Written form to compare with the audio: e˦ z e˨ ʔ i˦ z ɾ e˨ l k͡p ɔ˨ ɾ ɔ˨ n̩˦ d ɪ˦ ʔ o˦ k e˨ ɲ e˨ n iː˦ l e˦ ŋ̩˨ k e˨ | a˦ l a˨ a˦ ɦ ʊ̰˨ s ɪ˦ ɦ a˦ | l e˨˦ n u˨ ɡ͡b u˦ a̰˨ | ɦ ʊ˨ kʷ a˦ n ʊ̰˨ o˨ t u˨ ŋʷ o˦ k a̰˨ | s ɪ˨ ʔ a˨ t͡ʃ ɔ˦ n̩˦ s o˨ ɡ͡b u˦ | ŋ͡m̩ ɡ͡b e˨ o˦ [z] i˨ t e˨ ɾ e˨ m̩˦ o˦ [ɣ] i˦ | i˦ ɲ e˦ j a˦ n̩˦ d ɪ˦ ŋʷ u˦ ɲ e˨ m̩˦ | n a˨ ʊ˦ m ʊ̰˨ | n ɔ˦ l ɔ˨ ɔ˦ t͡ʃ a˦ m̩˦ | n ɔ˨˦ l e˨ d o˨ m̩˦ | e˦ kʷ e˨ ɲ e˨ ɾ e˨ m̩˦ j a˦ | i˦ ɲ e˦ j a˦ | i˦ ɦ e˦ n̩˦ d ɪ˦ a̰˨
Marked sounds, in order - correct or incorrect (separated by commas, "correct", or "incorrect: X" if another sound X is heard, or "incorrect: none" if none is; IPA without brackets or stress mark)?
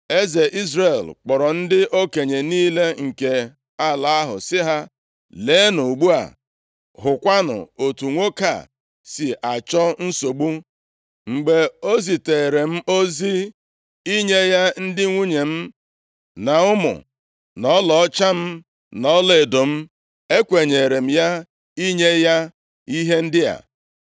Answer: correct, incorrect: z